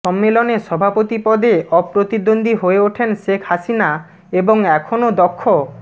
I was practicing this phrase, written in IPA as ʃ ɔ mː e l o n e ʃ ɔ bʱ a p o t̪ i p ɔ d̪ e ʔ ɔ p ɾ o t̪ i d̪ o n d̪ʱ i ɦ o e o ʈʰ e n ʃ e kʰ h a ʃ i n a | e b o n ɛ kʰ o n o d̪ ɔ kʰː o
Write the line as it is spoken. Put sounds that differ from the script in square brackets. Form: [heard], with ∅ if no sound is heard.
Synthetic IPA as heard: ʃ ɔ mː e l o n e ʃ ɔ bʱ a p o t̪ i p ɔ d̪ e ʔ ɔ p ɾ o t̪ i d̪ o n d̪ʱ i ɦ o e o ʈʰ e n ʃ e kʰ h a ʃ i n a | e b o [ŋ] ɛ kʰ o n o d̪ ɔ kʰː o